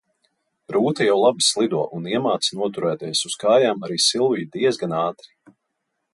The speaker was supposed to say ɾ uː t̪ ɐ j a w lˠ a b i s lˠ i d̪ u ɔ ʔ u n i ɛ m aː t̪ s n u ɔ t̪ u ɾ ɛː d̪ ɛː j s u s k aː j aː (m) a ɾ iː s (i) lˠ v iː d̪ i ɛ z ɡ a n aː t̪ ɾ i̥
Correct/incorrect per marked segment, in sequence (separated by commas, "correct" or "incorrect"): correct, correct